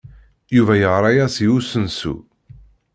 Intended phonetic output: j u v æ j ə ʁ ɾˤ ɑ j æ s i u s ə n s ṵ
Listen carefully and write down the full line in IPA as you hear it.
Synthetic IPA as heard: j u v æ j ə ʁ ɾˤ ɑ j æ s i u s ə n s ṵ